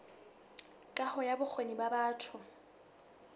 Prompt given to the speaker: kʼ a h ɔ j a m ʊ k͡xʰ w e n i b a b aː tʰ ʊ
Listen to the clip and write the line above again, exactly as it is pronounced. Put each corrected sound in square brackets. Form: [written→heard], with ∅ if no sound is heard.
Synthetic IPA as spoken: kʼ a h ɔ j a [m→b] ʊ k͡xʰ w e n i b a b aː tʰ ʊ